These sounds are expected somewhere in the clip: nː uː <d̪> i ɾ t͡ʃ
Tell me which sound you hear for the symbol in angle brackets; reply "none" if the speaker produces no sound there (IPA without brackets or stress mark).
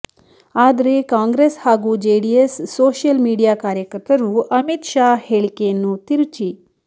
t̪